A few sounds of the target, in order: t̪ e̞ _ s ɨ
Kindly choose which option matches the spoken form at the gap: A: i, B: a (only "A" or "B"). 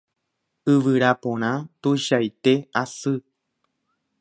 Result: B